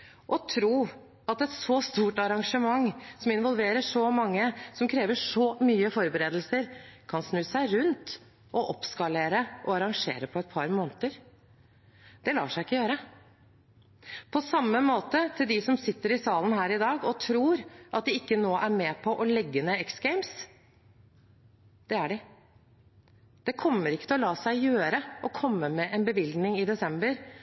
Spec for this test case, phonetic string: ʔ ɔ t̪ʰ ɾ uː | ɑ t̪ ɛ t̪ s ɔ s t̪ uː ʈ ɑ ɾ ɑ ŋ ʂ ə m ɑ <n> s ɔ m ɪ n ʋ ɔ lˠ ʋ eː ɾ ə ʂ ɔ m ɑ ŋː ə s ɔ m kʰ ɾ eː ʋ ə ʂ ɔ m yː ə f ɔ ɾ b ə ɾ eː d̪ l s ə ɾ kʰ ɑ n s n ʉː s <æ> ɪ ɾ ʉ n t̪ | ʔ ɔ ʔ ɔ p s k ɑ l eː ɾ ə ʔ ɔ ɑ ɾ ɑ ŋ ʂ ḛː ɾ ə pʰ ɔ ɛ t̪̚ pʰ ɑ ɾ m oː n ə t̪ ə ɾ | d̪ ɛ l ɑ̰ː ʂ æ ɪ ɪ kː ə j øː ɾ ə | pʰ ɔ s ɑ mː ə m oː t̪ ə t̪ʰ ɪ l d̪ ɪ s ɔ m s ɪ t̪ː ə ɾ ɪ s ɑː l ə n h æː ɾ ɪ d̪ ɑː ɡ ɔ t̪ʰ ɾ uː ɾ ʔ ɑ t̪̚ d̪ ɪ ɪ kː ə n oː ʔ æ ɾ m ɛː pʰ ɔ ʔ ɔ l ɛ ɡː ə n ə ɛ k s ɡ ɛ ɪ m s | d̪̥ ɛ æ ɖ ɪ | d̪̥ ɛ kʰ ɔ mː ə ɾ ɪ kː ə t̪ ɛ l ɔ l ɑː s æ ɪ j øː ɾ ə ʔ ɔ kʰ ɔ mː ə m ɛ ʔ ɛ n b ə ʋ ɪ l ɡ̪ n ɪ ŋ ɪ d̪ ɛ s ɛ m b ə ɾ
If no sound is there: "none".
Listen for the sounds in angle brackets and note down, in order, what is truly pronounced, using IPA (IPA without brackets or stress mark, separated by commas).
ŋ, æ